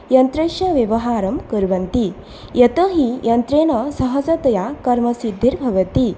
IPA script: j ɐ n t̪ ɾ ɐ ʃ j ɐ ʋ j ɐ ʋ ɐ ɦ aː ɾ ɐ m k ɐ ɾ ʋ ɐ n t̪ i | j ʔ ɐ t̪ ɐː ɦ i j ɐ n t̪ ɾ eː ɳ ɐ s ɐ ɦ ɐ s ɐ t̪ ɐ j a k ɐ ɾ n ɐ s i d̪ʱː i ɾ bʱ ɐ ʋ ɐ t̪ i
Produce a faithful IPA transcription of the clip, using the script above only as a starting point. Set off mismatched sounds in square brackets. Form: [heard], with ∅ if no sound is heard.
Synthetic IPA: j ɐ n t̪ ɾ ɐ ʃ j ɐ ʋ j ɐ ʋ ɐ ɦ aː ɾ ɐ m k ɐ ɾ ʋ ɐ n t̪ i | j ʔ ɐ t̪ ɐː ɦ i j ɐ n t̪ ɾ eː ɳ ɐ s ɐ ɦ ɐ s ɐ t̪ ɐ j a k ɐ ɾ [m] ɐ s i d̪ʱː i ɾ bʱ ɐ ʋ ɐ t̪ i